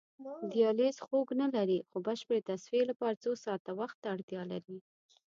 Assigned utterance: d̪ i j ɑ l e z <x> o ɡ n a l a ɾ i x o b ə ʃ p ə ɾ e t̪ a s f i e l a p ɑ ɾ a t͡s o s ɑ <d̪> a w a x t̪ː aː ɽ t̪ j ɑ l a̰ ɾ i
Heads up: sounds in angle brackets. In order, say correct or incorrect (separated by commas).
correct, incorrect